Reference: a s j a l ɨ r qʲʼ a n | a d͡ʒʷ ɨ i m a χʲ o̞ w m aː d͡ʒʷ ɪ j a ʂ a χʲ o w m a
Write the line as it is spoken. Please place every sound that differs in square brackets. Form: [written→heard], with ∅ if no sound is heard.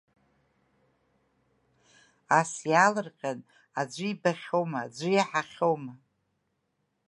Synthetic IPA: a s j a l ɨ r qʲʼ a n | a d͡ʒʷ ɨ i [m→b] a χʲ o̞ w m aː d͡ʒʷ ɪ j a [ʂ→ħ] a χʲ o w m a